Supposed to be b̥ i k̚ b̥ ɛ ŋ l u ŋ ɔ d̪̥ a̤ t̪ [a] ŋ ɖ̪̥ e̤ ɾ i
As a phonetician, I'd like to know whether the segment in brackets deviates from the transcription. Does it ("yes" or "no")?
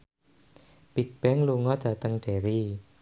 yes